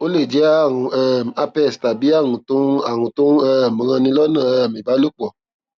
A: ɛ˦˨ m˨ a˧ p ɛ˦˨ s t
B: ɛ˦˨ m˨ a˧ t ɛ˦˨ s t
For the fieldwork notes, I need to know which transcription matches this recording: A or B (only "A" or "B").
A